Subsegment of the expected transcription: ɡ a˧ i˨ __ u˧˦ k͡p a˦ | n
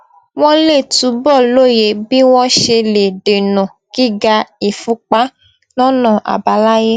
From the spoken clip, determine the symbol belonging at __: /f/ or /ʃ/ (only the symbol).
f